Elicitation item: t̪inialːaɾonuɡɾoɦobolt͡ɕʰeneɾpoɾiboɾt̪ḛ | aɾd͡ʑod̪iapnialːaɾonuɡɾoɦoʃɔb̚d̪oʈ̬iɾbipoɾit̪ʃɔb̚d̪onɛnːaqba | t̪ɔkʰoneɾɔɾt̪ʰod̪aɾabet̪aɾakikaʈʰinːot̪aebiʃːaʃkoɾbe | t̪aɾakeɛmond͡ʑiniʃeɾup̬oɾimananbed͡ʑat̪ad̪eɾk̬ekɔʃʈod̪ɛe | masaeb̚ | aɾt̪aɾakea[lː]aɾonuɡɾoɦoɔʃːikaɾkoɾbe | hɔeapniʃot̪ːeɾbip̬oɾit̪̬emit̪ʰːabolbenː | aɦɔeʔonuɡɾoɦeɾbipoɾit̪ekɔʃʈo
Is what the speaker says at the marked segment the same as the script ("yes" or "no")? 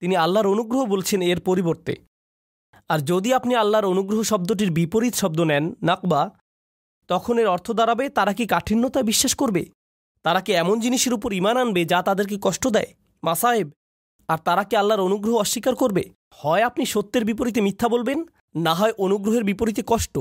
yes